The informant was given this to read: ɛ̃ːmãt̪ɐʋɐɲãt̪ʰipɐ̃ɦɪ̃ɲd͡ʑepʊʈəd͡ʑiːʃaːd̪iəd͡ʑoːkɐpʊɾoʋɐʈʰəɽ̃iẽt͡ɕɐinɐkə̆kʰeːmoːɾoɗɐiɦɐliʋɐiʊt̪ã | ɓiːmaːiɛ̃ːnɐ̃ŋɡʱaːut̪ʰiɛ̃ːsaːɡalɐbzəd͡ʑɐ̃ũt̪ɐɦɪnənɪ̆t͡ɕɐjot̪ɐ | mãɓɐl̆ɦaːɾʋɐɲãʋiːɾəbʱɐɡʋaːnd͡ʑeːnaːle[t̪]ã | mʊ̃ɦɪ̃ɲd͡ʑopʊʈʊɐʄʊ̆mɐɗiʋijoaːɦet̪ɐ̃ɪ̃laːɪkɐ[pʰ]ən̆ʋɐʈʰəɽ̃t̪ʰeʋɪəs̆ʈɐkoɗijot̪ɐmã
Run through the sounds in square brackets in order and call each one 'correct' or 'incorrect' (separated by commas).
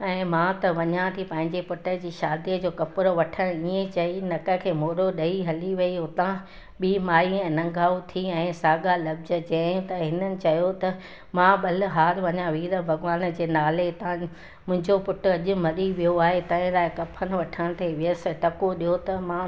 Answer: correct, correct